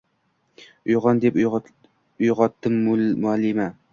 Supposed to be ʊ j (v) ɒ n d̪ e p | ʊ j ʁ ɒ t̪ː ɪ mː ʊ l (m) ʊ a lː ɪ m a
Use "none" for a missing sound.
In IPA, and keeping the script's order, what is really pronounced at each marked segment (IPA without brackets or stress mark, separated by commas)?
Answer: ʁ, m